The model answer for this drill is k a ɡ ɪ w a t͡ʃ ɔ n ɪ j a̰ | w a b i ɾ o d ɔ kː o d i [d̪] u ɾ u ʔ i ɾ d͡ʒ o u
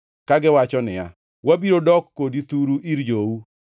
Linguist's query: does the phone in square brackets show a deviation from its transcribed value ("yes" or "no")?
yes